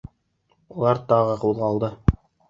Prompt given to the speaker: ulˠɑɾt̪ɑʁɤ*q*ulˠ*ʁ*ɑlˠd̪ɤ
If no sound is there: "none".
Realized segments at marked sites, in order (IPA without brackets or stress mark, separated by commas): q, ʁ